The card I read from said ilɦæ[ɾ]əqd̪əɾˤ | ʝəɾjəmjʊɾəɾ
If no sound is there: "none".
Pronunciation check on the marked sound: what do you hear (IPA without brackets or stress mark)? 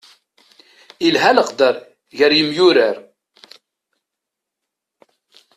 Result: l